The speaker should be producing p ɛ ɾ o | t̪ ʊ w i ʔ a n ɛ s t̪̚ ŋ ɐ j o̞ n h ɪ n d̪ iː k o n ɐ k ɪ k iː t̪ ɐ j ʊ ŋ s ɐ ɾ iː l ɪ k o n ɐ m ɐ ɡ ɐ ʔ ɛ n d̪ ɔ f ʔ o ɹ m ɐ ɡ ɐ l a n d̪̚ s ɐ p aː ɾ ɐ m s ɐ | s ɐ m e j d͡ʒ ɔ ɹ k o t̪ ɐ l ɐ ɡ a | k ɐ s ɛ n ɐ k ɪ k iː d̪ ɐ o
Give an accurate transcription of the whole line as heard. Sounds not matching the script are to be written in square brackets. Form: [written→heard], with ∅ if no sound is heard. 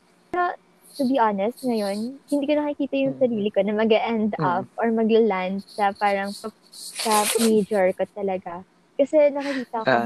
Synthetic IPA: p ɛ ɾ o | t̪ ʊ [w→b] i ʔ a n ɛ s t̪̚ ŋ ɐ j o̞ n h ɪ n d̪ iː k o n ɐ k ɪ k iː t̪ ɐ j ʊ ŋ s ɐ ɾ iː l ɪ k o n ɐ m ɐ ɡ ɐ ʔ ɛ n d̪ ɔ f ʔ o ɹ m ɐ ɡ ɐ l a n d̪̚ s ɐ p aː ɾ ɐ [m→ŋ] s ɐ | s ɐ m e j d͡ʒ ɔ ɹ k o t̪ ɐ l ɐ ɡ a | k ɐ s ɛ n ɐ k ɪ k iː [d̪→t̪] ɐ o